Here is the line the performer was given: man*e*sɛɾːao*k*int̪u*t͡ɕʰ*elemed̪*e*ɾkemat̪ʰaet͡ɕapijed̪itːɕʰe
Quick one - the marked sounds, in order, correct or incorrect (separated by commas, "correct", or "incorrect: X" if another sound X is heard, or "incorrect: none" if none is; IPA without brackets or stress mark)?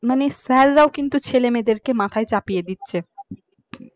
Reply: correct, correct, correct, correct